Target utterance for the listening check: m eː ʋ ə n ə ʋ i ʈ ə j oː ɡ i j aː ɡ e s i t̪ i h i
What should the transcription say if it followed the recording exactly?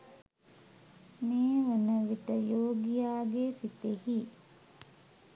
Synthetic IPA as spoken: m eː ʋ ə n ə ʋ i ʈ ə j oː ɡ i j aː ɡ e s i t̪ e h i